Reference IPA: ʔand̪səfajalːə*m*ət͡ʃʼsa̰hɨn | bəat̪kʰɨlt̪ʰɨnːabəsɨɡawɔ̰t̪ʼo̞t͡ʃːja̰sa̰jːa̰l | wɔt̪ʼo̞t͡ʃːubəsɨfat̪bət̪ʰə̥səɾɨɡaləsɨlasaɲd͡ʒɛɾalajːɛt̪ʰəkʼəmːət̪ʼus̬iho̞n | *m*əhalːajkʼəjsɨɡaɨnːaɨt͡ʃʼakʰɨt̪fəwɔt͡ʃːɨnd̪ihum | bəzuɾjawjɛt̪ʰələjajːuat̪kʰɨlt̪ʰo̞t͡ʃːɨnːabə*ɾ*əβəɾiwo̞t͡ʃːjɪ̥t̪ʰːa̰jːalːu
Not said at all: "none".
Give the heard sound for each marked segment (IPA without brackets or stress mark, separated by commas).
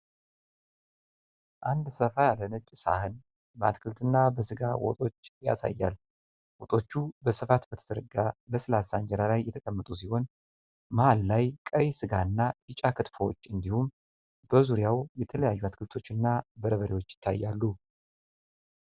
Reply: n, m, ɾ